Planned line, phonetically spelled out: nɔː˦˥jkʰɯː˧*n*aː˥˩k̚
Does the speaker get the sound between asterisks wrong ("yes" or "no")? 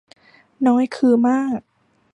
yes